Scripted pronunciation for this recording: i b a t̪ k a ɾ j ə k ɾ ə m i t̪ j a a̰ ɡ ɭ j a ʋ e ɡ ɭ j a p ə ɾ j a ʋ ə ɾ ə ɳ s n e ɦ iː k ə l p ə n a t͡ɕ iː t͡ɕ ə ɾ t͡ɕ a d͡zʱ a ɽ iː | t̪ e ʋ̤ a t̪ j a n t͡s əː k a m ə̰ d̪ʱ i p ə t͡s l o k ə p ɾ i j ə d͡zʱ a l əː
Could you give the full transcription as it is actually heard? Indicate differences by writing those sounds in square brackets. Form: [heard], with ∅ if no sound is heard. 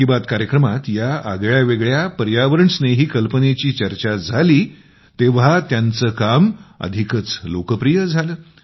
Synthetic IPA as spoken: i b a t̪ k a ɾ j ə k ɾ ə m [a] t̪ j a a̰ ɡ ɭ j a ʋ e ɡ ɭ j a p ə ɾ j a ʋ ə ɾ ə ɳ s n e ɦ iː k ə l p ə n [e] t͡ɕ iː t͡ɕ ə ɾ t͡ɕ a d͡zʱ a [l] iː | t̪ e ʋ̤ a t̪ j a n t͡s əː k a m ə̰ d̪ʱ i [k] ə t͡s l o k ə p ɾ i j ə d͡zʱ a l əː